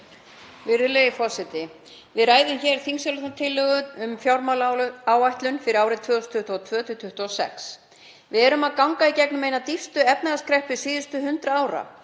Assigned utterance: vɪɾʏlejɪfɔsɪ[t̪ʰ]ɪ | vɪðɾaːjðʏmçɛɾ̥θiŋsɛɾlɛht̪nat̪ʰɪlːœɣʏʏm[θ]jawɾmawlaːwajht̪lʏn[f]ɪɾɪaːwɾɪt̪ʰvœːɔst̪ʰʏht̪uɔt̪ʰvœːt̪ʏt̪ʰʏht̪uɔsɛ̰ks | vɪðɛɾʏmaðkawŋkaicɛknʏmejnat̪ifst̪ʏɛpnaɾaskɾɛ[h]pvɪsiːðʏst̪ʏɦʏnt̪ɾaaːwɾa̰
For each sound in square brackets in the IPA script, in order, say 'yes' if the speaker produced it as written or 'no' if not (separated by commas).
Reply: no, no, yes, yes